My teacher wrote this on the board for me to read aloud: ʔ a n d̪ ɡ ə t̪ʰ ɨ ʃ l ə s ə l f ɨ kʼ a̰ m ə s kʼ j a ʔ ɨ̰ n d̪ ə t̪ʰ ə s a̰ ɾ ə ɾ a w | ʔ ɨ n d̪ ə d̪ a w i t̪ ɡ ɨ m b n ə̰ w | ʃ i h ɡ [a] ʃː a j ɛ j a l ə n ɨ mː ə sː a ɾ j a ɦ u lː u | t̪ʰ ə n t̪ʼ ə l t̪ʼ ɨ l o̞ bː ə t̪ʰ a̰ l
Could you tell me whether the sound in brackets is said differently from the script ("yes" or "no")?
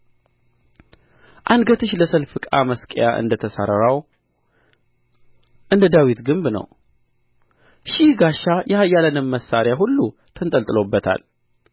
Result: no